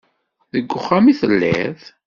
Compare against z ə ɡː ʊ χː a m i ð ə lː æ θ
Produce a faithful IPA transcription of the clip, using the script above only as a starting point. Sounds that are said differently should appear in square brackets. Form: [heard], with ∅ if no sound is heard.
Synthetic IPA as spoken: [ð] ə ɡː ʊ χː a m i [θ] ə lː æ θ